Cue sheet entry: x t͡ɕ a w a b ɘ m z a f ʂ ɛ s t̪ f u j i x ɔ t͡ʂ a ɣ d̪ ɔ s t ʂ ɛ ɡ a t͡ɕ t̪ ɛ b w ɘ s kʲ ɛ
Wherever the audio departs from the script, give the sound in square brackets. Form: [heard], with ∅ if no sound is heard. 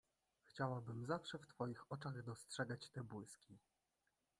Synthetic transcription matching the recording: x t͡ɕ a w a b ɘ m z a f ʂ ɛ [f] t̪ f [ɔ] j i x ɔ t͡ʂ a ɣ d̪ ɔ s t ʂ ɛ ɡ a t͡ɕ t̪ ɛ b w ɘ s kʲ [i]